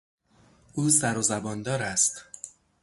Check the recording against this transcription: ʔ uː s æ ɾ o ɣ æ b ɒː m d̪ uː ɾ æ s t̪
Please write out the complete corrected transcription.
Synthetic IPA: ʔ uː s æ ɾ o z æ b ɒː n d̪ ɒː ɾ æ s t̪